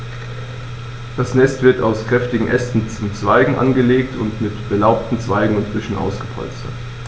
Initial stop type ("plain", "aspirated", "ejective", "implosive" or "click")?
plain